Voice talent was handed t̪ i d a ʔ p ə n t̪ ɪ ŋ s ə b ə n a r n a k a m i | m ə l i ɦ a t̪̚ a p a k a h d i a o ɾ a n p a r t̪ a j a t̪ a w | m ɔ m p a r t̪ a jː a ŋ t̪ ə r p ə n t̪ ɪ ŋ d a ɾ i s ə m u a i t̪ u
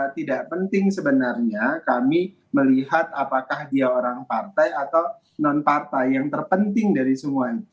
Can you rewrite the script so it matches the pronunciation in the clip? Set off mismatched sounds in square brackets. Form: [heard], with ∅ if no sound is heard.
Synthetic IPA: t̪ i d a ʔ p ə n t̪ ɪ ŋ s ə b ə n a r [ɲ] a k a m i | m ə l i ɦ a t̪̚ a p a k a h d i a o ɾ a [ŋ] p a r t̪ a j a t̪ a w | [n] ɔ [n] p a r t̪ a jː a ŋ t̪ ə r p ə n t̪ ɪ ŋ d a ɾ i s ə m u a i t̪ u